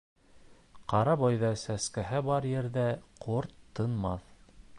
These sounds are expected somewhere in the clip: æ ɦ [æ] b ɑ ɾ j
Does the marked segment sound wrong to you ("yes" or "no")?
no